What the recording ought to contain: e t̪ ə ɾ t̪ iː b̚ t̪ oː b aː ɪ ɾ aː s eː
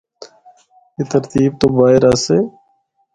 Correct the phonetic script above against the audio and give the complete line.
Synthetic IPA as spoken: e t̪ ə ɾ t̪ iː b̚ t̪ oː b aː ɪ ɾ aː s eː